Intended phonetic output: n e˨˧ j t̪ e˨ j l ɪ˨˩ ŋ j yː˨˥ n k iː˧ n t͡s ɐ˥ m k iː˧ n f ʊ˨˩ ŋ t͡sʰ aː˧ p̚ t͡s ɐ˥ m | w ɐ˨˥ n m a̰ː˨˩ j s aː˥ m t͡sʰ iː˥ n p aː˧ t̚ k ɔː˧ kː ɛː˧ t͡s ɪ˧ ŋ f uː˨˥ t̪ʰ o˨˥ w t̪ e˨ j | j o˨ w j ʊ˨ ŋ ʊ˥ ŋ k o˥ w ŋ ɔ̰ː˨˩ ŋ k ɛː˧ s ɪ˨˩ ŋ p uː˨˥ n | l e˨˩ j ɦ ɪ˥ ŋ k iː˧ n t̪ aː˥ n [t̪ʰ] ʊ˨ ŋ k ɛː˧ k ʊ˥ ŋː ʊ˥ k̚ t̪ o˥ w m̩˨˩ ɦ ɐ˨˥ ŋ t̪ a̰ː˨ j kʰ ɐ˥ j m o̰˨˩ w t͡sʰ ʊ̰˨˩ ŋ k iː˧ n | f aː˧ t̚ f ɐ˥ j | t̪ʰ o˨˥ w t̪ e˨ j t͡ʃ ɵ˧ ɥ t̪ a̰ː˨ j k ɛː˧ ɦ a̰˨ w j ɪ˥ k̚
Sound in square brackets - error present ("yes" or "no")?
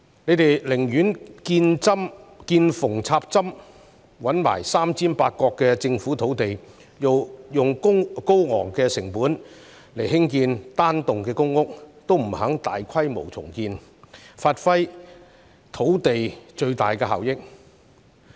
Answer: yes